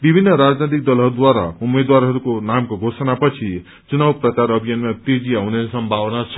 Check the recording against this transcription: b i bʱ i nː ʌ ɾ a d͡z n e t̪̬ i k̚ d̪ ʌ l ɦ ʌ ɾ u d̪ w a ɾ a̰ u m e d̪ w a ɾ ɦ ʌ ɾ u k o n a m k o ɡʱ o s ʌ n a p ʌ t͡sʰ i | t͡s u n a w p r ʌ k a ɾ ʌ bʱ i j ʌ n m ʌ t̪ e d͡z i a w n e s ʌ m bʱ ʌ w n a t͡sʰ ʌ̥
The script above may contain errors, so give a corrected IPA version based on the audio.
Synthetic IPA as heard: b i bʱ i nː ʌ ɾ a d͡z n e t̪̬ i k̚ d̪ ʌ l ɦ ʌ ɾ u d̪ w a ɾ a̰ u m e d̪ w a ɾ ɦ ʌ ɾ u k o n a m k o ɡʱ o s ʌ n a p ʌ t͡sʰ i | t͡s u n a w p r ʌ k a ɾ ʌ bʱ i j ʌ n m a t̪ e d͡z i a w n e s ʌ m bʱ a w n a t͡sʰ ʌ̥